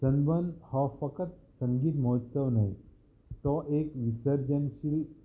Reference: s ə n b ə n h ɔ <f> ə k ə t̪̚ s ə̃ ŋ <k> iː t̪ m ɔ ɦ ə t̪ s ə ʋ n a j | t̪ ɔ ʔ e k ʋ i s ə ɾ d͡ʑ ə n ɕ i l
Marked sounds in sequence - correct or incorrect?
correct, incorrect

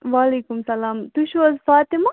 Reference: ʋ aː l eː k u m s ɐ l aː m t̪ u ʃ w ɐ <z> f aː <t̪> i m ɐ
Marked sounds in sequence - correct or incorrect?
correct, correct

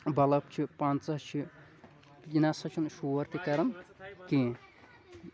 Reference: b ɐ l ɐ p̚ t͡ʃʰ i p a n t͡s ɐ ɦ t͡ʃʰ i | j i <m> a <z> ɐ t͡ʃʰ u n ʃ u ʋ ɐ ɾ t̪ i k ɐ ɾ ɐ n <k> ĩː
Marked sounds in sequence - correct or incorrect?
incorrect, incorrect, correct

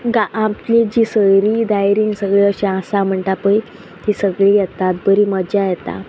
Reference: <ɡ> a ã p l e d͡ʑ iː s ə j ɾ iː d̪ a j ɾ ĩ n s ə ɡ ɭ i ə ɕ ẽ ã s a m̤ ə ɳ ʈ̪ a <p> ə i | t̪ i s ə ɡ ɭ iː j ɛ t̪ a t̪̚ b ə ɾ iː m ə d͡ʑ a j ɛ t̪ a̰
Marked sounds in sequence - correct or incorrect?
correct, correct

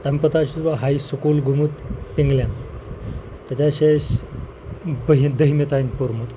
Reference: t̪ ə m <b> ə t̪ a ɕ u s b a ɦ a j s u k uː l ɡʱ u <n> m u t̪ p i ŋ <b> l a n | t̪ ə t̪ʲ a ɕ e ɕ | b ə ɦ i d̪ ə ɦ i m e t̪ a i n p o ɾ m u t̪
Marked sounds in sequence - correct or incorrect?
incorrect, incorrect, incorrect

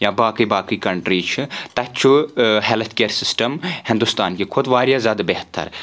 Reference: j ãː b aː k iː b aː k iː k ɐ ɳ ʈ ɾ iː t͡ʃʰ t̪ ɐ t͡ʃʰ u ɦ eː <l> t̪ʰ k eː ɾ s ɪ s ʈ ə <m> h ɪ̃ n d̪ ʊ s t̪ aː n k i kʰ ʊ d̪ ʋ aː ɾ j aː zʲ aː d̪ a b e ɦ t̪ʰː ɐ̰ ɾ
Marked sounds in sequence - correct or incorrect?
correct, correct

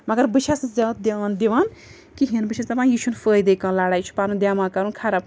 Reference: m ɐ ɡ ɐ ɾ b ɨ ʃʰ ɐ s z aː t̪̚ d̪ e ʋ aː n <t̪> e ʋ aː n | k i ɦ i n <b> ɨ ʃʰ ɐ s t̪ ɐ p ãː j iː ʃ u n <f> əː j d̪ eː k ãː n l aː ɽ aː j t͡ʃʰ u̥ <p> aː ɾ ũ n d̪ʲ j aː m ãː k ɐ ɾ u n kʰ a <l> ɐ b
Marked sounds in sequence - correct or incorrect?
incorrect, correct, correct, correct, incorrect

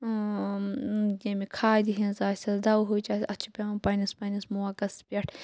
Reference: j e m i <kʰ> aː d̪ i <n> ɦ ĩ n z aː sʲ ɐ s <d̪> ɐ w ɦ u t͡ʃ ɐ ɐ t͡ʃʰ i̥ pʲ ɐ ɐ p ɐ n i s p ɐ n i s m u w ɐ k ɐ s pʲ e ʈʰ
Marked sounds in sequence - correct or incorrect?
correct, incorrect, correct

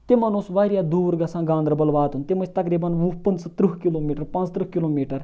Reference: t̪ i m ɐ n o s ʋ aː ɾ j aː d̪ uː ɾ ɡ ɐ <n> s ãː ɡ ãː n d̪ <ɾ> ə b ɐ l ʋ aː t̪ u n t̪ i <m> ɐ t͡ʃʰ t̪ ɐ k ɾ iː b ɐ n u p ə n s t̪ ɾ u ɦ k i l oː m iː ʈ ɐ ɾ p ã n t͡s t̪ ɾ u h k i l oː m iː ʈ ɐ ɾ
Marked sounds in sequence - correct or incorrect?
incorrect, correct, correct

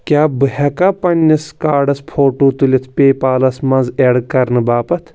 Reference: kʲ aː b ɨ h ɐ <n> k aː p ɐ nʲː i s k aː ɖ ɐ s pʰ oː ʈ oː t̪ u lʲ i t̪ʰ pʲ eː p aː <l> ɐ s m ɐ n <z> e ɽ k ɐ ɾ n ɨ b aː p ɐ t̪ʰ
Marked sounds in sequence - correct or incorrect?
incorrect, correct, correct

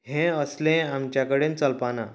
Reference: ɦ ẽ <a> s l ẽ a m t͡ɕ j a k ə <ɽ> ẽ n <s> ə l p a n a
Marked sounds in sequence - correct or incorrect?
incorrect, correct, incorrect

